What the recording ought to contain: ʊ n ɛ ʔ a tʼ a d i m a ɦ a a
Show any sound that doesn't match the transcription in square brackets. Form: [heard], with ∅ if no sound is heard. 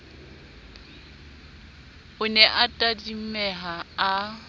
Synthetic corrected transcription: ʊ n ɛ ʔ a tʼ a d i m [ɛ] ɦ a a